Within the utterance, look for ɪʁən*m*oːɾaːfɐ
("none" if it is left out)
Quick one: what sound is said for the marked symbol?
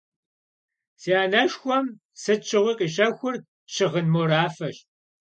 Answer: m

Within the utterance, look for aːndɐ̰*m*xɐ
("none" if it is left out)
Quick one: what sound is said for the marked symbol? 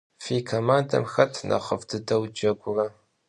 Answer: m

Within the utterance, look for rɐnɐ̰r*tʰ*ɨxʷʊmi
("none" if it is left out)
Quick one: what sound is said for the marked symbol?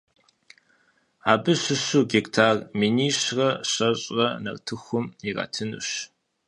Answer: tʰ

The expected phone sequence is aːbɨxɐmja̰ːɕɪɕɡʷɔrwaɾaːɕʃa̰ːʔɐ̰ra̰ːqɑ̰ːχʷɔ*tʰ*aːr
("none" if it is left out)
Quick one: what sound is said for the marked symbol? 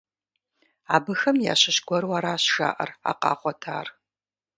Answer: tʰ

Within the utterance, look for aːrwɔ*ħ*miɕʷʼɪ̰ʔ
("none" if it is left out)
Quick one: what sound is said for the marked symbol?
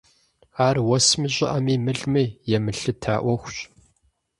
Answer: s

